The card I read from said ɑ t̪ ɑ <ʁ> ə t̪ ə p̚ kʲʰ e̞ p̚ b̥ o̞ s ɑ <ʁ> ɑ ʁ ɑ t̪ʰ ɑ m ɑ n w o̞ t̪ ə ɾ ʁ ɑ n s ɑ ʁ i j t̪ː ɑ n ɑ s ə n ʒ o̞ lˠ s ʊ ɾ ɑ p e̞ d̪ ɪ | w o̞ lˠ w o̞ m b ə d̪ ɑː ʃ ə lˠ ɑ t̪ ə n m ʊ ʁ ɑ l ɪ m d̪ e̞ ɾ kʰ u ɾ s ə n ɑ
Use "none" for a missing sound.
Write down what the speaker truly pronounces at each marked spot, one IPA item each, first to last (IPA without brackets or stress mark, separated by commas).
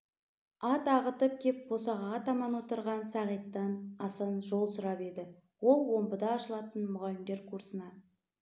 ʁ, ʁ